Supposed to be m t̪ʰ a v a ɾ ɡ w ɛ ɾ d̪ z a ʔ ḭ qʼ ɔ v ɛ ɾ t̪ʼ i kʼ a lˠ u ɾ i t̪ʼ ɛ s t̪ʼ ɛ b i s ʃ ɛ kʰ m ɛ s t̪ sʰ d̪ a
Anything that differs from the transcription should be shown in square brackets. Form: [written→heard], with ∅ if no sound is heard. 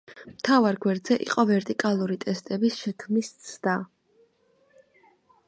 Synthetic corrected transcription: m t̪ʰ a v a ɾ ɡ w ɛ ɾ d̪ z [a→ɛ] ʔ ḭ qʼ ɔ v ɛ ɾ t̪ʼ i kʼ a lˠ u ɾ i t̪ʼ ɛ s t̪ʼ ɛ b i s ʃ ɛ kʰ m [ɛ→i] s t̪ sʰ d̪ a